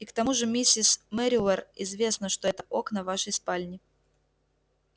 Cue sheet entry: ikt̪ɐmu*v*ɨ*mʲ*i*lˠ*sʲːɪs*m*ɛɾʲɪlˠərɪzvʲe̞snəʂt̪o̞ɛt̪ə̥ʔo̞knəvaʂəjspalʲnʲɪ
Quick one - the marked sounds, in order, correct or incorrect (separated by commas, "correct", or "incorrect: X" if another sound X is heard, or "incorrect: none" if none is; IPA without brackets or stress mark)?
incorrect: ʐ, correct, incorrect: none, correct